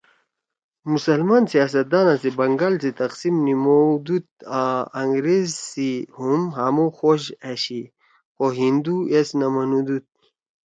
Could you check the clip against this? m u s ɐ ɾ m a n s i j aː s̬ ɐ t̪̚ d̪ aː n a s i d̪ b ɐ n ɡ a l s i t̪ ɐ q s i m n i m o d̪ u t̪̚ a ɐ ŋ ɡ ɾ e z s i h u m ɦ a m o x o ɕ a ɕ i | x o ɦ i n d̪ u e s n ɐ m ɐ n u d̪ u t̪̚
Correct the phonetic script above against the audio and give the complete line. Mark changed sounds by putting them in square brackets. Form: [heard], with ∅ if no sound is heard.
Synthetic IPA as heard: m u s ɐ [l] m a n s i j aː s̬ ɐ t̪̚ d̪ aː n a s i [∅] b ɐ [ŋ] ɡ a l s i t̪ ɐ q s i m n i m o d̪ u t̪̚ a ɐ ŋ ɡ ɾ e z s i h u m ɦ a m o x o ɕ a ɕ i | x o ɦ i n d̪ u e s n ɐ m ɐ n u d̪ u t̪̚